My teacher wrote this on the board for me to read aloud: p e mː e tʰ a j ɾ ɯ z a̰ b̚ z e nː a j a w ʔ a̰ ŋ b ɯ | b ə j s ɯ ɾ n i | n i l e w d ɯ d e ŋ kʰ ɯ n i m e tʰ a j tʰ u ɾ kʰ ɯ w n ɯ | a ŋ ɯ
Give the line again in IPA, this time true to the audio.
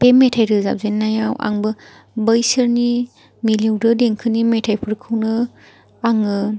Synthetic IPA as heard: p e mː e tʰ a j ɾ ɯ z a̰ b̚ z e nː a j a w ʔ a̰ ŋ b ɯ | b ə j s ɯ ɾ n i | m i l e w d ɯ d e ŋ kʰ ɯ n i m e tʰ a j pʰ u ɾ kʰ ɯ w n ɯ | a ŋ ɯ